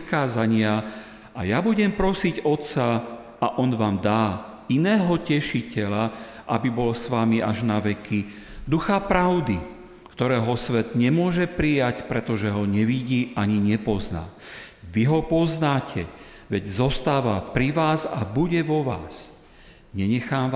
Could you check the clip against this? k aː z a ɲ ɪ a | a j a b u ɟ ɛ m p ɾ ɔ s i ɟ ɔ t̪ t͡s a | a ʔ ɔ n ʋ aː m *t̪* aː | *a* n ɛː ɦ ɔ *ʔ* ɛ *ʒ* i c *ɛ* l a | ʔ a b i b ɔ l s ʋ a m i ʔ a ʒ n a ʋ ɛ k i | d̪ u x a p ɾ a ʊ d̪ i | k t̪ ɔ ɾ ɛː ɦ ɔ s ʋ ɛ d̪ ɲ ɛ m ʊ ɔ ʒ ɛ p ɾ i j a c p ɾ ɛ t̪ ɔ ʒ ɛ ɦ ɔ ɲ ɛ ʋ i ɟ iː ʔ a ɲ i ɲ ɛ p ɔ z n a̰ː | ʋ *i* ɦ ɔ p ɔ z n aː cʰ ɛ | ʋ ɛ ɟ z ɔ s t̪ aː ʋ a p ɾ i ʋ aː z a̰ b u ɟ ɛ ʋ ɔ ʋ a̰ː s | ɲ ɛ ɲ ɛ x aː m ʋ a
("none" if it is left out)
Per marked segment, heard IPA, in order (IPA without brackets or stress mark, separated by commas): d̪, i, c, ʃ, ɛ, i